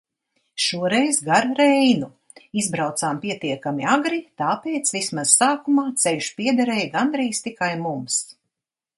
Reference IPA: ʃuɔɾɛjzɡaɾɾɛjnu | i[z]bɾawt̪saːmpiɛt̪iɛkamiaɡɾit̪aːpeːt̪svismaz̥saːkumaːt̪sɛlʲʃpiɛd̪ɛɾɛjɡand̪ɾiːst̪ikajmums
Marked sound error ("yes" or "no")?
no